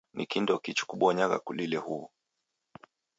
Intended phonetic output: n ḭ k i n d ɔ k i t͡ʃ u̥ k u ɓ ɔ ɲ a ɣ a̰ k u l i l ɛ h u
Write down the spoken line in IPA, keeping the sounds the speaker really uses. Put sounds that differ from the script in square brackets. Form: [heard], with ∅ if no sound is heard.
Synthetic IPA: n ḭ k i n d ɔ k i t͡ʃ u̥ k u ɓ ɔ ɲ a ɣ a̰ k u l i l ɛ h u